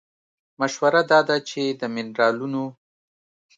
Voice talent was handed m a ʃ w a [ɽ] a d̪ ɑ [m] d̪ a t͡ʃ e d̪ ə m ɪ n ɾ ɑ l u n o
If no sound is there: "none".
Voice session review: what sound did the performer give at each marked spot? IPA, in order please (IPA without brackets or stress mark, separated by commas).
ɾ, none